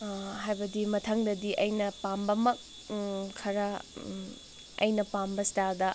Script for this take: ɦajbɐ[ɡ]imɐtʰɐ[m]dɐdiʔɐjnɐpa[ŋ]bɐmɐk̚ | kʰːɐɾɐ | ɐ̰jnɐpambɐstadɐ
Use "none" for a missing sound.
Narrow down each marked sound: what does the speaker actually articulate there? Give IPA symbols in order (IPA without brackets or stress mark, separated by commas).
d, ŋ, m